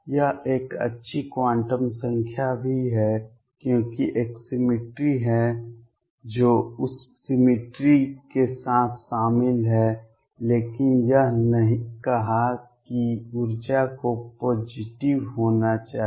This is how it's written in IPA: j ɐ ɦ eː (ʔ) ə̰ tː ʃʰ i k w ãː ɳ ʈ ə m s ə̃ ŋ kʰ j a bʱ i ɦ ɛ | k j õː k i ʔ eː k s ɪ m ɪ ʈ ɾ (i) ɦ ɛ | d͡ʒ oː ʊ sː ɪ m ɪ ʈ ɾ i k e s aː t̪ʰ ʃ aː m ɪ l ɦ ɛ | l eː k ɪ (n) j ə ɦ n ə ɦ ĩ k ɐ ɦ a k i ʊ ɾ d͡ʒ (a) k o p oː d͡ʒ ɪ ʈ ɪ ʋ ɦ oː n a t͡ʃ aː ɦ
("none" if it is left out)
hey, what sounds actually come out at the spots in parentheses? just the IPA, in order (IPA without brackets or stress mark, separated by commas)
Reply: k, i, n, a